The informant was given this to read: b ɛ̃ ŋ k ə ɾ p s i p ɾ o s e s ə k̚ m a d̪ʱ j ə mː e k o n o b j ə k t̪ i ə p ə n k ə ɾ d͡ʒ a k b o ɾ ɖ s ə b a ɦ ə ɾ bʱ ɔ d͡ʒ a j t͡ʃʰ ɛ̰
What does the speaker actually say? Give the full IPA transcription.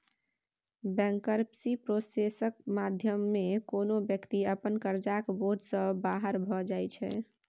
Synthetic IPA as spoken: b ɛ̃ ŋ k ə ɾ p s i p ɾ o s e s ə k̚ m a d̪ʱ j ə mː e k o n o b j ə k t̪ i ə p ə n k ə ɾ d͡ʒ a k b o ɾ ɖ s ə b a ɦ ə ɾ bʱ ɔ d͡ʒ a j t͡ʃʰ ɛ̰